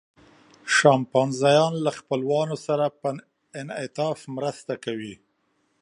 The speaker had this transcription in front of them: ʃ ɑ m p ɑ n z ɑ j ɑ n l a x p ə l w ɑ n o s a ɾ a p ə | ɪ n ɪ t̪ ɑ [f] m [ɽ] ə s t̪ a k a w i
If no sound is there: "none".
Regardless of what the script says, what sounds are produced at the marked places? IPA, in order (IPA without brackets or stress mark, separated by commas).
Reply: f, ɾ